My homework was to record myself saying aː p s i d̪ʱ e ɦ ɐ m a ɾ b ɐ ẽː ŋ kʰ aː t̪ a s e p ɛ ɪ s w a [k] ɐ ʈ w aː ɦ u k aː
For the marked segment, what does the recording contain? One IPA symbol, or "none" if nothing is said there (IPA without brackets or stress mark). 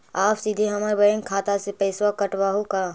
k